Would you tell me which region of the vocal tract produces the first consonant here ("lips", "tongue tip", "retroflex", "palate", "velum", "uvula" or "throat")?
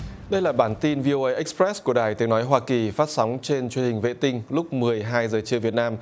tongue tip